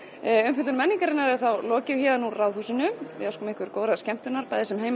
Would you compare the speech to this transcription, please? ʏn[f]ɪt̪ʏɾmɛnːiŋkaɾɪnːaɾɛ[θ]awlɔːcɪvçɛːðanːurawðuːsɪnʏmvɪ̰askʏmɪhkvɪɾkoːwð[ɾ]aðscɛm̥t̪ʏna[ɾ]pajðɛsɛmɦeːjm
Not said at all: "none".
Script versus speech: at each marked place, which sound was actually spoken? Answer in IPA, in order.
f, θ, ɾ, ɾ

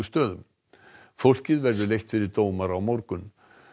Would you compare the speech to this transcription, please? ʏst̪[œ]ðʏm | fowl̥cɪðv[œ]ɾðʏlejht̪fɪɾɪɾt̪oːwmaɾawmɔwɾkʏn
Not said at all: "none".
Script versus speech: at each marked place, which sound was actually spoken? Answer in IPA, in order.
œː, ɛ

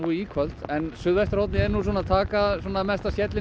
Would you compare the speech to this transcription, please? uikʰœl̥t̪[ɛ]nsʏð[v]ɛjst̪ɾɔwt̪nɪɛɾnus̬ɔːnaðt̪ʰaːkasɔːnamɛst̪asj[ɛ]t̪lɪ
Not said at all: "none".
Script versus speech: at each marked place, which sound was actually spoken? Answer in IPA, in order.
ɛ, v, ɛ

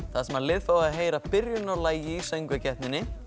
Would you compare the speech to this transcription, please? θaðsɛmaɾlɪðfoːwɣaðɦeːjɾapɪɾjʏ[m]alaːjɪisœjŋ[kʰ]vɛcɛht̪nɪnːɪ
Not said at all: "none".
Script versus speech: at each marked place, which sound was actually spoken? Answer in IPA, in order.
n, k

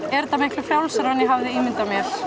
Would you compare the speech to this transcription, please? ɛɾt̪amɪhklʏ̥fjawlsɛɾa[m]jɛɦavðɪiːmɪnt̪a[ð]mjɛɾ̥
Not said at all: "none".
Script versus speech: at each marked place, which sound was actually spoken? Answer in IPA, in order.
n, none

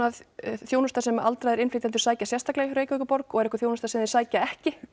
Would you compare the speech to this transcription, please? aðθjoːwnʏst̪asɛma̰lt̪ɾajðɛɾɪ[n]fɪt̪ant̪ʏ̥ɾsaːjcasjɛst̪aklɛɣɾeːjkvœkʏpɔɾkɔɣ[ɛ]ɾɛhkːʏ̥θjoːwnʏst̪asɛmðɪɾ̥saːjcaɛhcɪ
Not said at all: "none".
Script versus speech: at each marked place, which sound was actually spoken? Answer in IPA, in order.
n, ɛ

